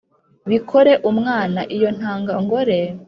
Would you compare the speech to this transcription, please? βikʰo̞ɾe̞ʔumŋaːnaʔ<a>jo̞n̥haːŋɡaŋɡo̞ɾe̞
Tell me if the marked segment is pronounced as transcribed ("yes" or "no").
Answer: no